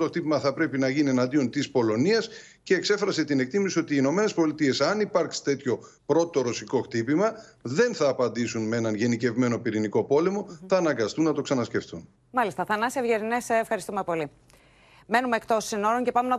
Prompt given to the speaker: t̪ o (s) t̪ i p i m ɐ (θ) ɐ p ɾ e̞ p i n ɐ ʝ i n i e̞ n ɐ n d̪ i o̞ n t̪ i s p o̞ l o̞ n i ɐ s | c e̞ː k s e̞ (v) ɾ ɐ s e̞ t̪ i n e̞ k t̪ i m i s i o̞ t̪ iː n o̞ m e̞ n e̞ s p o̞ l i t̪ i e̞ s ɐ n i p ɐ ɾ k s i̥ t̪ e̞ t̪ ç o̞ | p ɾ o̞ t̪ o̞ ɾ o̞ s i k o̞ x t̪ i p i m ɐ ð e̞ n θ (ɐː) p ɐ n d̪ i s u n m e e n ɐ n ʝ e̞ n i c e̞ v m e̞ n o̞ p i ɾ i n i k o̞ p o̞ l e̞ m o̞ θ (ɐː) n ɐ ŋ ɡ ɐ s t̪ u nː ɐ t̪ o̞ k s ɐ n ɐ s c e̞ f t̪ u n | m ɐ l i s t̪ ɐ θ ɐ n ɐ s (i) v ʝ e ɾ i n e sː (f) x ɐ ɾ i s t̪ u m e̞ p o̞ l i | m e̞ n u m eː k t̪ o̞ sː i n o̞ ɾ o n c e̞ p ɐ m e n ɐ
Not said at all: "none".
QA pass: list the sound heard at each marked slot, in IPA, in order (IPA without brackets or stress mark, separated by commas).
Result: x, θ, f, ɐː, ɐː, e, f